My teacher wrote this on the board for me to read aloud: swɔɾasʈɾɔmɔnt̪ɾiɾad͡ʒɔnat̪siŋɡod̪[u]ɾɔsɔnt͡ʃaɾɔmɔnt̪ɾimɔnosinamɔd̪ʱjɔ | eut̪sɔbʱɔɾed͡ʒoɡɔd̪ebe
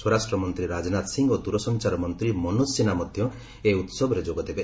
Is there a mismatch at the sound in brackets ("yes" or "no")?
no